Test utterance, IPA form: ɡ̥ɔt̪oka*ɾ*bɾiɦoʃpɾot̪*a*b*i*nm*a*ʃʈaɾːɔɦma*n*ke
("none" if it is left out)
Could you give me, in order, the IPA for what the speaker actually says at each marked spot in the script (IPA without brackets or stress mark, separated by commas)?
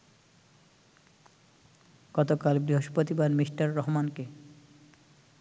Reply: l, i, a, i, n